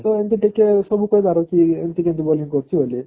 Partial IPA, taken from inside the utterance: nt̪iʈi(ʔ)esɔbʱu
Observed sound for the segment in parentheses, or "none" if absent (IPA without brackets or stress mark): k